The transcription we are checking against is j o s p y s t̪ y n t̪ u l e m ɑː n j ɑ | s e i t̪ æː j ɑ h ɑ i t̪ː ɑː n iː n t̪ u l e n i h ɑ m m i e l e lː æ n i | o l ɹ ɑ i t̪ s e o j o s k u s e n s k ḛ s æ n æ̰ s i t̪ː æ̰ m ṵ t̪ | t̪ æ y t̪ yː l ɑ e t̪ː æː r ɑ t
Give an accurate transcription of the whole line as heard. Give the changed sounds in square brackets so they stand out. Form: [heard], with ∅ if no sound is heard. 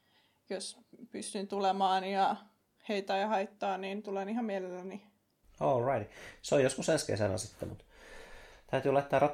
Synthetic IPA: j o s p y s t̪ y n t̪ u l e m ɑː n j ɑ | [h] e i t̪ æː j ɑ h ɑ i t̪ː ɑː n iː n t̪ u l e n i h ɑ m m i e l e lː æ n i | o l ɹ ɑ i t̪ s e o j o s k u s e n s k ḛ s æ n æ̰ s i t̪ː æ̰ m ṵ t̪ | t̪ æ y t̪ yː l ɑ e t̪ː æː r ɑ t